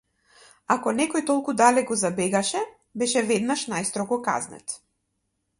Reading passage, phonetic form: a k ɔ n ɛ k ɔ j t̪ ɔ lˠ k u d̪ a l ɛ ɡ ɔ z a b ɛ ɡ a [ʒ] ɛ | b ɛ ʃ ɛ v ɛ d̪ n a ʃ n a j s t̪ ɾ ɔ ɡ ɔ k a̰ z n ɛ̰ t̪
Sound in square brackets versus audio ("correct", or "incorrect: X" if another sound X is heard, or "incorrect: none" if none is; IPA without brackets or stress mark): incorrect: ʃ